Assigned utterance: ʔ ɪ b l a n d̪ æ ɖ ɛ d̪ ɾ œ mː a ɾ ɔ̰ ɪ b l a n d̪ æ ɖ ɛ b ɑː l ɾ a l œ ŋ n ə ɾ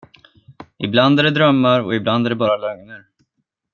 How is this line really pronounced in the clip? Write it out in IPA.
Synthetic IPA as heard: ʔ ɪ b l a n d̪ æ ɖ ɛ d̪ ɾ œ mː a ɾ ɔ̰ ɪ b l a n d̪ æ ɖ ɛ b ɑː ɾ a l œ ŋ n ə ɾ